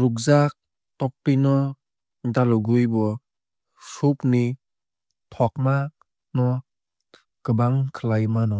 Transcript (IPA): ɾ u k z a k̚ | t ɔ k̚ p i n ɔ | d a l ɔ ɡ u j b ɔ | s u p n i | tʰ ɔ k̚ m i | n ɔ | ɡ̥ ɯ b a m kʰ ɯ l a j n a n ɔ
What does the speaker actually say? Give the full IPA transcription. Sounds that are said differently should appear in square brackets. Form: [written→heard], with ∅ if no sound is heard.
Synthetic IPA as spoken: ɾ u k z a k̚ | t ɔ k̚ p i n ɔ | d a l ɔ ɡ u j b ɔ | s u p n i | tʰ ɔ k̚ m [i→a] | n ɔ | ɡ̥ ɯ b a [m→ŋ] kʰ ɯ l a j [n→m] a n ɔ